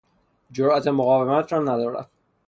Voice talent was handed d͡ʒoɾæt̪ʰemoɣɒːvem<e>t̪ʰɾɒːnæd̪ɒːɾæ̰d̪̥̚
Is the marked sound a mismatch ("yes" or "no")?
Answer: yes